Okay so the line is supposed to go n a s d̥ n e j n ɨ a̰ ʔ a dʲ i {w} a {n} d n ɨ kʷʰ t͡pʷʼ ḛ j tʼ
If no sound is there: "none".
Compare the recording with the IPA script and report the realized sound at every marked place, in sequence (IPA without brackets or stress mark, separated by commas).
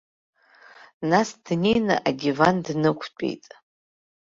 v, n